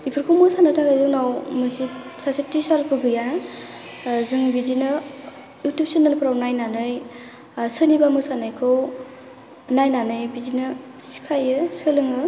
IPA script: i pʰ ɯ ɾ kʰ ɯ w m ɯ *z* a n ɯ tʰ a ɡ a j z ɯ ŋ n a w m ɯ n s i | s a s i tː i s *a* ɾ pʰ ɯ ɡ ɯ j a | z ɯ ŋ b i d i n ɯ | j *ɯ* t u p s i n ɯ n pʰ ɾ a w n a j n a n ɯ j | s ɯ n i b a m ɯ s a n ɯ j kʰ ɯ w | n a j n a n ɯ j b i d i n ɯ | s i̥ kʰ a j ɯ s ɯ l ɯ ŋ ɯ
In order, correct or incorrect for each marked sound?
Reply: incorrect, correct, incorrect

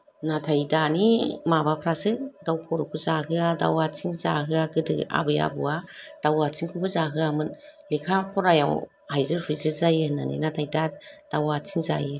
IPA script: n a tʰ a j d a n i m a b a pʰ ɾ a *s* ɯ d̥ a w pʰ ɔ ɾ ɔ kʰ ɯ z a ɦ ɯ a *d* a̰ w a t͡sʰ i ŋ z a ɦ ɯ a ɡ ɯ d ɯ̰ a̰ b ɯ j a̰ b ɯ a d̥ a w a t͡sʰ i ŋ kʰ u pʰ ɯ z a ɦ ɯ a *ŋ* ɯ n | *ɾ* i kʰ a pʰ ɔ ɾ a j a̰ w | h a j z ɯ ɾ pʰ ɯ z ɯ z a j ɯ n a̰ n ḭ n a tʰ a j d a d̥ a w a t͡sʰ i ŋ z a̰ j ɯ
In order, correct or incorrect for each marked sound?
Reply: correct, correct, incorrect, incorrect

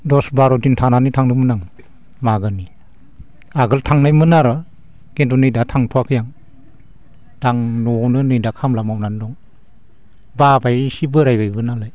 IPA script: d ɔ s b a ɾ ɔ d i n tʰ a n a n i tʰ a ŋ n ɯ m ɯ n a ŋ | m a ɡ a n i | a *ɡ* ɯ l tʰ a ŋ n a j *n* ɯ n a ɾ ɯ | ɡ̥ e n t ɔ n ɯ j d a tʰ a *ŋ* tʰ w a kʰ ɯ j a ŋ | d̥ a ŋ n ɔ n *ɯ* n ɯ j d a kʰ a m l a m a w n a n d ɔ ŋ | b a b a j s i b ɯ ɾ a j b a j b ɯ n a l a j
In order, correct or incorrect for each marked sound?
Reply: correct, incorrect, correct, correct

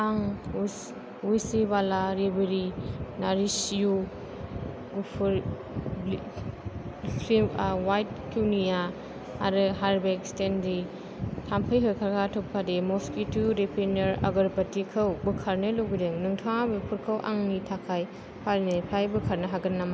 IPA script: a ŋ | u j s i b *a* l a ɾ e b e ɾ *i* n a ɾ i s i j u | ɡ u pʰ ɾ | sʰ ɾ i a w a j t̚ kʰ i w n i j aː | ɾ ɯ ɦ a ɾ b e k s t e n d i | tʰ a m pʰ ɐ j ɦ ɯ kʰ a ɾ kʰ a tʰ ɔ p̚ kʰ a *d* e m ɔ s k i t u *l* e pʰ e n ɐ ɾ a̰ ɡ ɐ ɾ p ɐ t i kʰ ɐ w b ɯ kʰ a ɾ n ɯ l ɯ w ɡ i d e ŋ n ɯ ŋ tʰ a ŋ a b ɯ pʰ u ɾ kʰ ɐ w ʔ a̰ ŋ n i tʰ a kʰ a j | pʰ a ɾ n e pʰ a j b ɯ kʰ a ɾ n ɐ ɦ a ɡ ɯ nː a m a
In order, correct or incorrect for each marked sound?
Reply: correct, correct, correct, incorrect

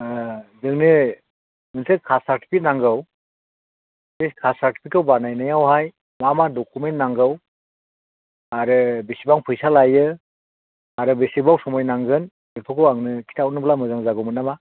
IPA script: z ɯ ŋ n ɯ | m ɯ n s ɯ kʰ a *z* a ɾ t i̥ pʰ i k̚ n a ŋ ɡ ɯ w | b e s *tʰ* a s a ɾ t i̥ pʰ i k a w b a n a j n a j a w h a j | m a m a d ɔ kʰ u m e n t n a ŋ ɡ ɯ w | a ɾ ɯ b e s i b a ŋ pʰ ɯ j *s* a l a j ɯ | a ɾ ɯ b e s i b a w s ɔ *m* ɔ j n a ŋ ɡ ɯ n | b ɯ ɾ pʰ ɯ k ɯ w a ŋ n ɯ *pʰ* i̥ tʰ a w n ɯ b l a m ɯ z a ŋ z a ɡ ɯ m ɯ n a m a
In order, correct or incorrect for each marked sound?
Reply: incorrect, incorrect, correct, correct, incorrect

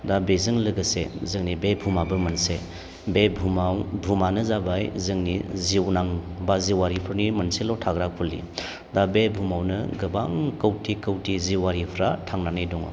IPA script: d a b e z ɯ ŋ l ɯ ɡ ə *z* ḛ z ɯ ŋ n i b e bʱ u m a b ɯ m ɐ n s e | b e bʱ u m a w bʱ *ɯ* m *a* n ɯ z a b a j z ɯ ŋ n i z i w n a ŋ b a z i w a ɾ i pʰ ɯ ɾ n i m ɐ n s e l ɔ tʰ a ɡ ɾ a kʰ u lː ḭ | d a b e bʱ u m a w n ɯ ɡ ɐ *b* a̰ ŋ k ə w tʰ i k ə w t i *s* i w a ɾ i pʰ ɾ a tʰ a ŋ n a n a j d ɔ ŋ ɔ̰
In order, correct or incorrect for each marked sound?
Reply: incorrect, incorrect, correct, correct, incorrect

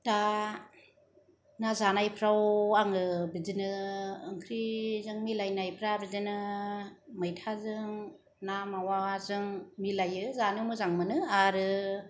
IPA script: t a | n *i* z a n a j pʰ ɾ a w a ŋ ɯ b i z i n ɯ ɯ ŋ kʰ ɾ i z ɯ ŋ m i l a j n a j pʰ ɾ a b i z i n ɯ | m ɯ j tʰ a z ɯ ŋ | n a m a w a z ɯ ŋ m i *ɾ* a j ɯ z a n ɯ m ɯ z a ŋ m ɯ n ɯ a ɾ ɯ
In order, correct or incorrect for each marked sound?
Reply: incorrect, incorrect

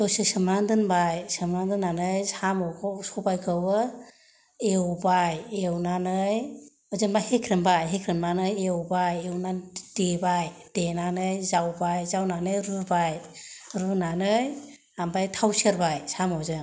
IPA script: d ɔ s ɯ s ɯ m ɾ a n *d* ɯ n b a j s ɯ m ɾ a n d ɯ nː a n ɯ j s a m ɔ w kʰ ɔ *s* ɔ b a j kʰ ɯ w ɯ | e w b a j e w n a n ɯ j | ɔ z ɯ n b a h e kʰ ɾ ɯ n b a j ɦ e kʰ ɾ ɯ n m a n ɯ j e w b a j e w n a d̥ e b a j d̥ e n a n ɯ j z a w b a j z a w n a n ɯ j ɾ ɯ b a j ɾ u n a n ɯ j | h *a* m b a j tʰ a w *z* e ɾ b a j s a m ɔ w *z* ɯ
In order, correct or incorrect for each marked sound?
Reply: correct, correct, correct, incorrect, correct

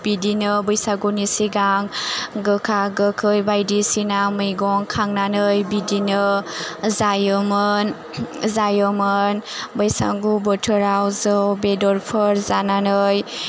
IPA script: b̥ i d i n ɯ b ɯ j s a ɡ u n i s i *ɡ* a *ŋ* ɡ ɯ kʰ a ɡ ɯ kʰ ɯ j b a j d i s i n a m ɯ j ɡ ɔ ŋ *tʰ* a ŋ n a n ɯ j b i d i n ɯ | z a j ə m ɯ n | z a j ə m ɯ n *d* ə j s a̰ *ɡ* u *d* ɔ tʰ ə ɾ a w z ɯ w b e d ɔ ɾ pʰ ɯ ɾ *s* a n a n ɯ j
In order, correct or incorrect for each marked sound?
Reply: correct, correct, incorrect, incorrect, correct, incorrect, incorrect

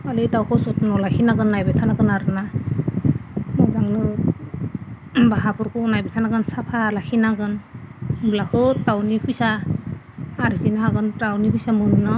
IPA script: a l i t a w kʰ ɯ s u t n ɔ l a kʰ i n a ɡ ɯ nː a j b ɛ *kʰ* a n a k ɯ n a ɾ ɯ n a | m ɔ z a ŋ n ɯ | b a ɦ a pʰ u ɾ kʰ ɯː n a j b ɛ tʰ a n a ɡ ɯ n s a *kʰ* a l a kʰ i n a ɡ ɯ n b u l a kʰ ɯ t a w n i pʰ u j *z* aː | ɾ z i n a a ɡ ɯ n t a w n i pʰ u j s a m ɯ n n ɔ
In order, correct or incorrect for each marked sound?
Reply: incorrect, incorrect, incorrect

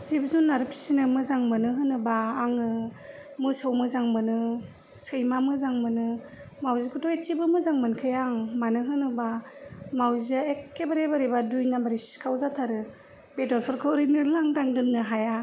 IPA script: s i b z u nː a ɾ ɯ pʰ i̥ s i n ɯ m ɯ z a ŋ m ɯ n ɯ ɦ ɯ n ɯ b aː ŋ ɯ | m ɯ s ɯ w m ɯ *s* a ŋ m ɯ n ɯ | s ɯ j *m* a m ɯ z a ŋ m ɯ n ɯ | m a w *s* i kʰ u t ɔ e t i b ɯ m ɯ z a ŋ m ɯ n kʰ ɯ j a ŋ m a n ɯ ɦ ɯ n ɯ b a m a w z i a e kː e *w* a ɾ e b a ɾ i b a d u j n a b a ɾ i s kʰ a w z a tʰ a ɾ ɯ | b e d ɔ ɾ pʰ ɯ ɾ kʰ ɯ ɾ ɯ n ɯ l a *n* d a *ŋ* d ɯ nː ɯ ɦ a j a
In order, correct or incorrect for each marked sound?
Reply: incorrect, correct, incorrect, incorrect, incorrect, correct

